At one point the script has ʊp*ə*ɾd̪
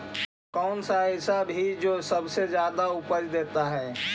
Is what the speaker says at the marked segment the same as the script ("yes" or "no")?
yes